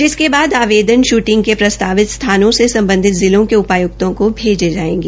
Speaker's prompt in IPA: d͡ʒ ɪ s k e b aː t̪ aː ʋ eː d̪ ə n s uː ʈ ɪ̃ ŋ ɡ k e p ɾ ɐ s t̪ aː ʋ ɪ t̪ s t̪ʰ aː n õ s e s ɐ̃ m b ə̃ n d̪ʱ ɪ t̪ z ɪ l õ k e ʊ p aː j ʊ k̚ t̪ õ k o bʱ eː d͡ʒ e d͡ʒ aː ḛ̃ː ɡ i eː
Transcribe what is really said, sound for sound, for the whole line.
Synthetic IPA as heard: d͡ʒ ɪ s k e b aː d̪ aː ʋ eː d̪ ə n ʃ uː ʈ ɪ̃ ŋ ɡ k e p ɾ ɐ s t̪ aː ʋ ɪ t̪ s t̪ʰ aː n õ s e s ɐ̃ m b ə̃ n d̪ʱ ɪ t̪ z ɪ l õ k e ʊ p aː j ʊ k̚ t̪ õ k o bʱ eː d͡ʒ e d͡ʒ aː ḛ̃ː ɡ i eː